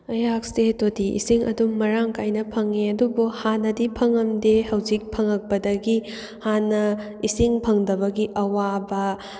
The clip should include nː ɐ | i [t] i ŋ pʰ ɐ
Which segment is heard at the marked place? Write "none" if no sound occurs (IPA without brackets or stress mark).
s